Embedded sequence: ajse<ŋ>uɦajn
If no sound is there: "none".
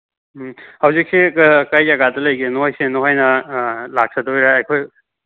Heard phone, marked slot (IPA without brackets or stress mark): n